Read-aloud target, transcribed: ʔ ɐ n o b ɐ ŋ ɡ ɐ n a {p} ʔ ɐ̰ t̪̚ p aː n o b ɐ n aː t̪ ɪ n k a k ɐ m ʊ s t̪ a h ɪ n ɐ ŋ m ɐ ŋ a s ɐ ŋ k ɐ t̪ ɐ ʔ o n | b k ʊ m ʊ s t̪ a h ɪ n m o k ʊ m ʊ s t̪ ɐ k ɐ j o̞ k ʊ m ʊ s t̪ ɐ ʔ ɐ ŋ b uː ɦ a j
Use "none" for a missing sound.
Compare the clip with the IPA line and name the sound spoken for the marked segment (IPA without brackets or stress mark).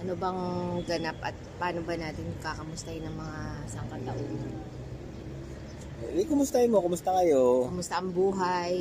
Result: p